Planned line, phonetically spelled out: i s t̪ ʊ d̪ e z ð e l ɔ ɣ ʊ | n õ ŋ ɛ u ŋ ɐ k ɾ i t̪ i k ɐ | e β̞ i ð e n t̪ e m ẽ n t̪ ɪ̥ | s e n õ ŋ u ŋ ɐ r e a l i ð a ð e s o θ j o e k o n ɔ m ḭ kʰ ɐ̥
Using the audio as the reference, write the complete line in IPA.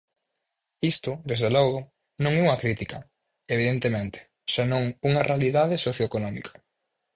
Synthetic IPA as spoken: i s t̪ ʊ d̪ e z ð e l ɔ ɣ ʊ | n õ ŋ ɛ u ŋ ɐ k ɾ i t̪ i k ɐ | e β̞ i ð e n t̪ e m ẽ n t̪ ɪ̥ | s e n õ ŋ u ŋ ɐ r e a l i ð a ð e s o θ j o e k o n ɔ m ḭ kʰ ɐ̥